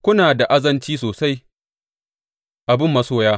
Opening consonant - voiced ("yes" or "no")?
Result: no